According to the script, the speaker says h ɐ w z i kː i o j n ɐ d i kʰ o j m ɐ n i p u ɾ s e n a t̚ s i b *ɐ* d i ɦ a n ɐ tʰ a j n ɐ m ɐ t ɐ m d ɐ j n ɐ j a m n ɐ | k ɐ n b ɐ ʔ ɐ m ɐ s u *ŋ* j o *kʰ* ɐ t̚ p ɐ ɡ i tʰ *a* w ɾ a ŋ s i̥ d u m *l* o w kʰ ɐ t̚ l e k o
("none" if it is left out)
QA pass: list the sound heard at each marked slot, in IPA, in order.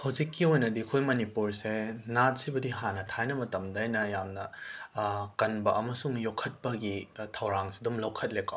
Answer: ɐ, ŋ, kʰ, ɐ, l

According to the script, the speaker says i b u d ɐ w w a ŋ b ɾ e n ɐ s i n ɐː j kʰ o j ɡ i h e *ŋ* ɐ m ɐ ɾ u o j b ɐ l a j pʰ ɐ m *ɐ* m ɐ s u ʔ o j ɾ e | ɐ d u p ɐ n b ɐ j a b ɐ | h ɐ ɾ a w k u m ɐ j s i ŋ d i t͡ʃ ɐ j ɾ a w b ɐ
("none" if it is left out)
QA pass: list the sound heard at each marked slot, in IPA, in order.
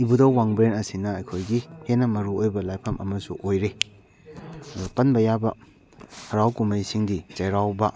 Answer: n, ɐ

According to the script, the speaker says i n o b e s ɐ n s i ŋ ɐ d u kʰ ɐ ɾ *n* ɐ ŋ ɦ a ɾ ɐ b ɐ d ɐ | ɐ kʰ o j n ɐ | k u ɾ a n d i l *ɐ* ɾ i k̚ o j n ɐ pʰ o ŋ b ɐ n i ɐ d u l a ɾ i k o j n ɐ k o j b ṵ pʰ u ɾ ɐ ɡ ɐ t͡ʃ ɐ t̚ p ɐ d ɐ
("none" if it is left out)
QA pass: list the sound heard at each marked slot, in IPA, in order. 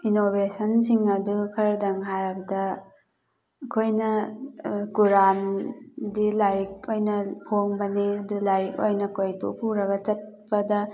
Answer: d, a

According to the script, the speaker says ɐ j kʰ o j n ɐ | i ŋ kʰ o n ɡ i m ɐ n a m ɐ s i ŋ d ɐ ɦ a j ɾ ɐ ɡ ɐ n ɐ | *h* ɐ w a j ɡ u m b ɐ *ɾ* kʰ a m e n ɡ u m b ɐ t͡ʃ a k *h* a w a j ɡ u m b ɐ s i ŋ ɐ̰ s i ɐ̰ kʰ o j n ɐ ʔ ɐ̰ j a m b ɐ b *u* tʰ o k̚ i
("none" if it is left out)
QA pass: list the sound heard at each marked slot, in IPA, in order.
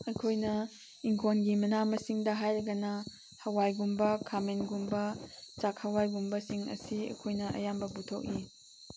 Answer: h, none, h, u

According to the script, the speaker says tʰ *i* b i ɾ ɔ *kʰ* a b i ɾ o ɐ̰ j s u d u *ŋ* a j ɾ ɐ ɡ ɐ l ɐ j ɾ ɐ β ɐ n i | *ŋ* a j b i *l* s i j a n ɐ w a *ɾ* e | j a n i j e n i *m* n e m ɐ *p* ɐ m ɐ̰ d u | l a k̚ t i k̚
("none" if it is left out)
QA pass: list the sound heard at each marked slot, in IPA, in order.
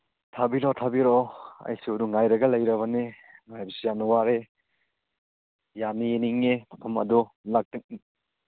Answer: a, tʰ, ŋ, ŋ, none, ɾ, ŋ, pʰ

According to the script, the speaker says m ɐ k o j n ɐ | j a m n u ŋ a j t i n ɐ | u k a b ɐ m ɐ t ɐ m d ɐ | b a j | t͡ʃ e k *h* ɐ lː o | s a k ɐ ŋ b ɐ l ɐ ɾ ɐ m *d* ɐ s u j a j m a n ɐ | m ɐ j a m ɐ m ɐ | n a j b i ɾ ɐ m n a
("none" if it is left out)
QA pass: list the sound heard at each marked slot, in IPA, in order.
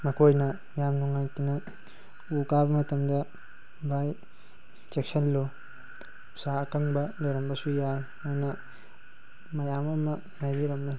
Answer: s, b

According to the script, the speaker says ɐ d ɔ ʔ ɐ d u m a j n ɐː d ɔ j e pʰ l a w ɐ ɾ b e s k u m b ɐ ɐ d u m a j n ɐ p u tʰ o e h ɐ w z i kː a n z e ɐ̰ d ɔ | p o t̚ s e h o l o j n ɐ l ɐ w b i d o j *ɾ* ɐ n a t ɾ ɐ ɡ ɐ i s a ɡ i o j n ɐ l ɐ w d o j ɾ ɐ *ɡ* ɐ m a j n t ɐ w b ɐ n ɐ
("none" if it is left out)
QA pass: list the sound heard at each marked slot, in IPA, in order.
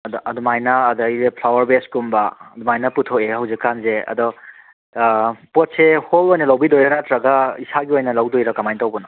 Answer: ɾ, k

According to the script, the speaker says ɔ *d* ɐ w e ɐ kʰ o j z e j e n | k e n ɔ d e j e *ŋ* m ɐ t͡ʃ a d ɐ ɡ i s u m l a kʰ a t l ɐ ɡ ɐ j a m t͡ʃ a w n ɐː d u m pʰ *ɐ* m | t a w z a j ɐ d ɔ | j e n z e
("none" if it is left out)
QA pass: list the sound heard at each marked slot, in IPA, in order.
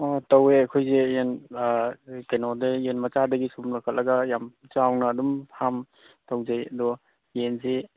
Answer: t, n, a

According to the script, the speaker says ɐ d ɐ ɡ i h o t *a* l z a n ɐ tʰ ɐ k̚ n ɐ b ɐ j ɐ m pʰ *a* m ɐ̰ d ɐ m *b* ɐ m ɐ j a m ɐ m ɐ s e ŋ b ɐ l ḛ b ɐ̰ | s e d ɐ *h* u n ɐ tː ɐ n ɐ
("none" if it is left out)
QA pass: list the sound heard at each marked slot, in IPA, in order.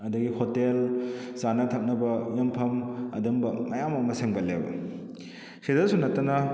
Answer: e, ɐ, b, s

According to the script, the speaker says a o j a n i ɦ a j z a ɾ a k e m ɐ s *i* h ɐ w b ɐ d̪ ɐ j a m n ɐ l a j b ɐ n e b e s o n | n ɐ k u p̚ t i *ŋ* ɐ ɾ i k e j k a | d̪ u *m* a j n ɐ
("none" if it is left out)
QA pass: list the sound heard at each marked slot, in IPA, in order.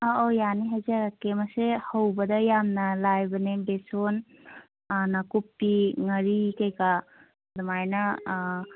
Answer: e, ŋ, m

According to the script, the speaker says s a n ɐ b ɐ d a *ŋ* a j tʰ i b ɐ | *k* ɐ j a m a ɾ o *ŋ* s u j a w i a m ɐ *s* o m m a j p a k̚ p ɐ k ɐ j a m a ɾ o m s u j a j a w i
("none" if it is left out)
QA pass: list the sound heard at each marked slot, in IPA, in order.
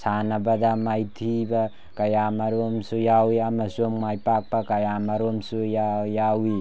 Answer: m, k, m, s

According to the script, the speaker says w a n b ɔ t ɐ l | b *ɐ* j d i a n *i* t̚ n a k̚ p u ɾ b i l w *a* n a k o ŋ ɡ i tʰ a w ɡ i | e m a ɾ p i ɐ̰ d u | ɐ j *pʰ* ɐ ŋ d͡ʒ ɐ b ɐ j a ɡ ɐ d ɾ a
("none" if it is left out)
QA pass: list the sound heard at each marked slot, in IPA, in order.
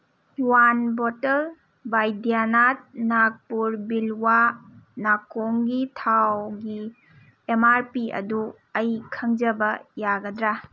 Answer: a, a, a, kʰ

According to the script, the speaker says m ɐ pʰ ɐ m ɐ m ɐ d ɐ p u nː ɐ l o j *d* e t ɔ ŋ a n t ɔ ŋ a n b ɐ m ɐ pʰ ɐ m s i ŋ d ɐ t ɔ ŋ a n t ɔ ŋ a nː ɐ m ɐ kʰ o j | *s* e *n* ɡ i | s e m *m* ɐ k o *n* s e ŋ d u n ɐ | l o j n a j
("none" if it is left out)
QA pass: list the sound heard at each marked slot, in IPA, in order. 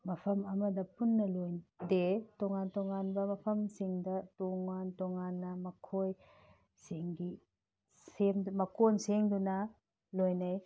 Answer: d, s, ŋ, m, n

